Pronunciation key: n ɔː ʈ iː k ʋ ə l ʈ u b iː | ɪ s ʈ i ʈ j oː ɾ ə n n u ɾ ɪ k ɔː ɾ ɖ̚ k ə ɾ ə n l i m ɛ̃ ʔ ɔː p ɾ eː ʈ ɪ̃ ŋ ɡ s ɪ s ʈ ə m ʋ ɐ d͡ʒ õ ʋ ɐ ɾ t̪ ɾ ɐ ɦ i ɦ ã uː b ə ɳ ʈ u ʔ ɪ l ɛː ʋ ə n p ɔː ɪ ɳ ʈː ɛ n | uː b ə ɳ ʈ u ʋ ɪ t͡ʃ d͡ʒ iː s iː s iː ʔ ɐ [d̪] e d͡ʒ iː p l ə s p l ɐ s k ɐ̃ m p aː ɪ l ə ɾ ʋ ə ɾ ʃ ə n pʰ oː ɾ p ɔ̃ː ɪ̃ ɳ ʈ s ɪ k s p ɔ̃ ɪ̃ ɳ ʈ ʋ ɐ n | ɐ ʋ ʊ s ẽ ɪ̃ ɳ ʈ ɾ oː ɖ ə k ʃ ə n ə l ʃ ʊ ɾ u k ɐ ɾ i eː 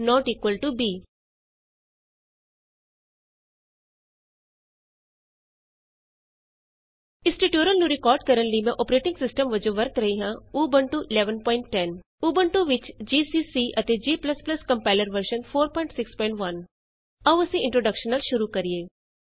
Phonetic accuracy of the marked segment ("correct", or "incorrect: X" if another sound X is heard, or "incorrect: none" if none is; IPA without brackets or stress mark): incorrect: t̪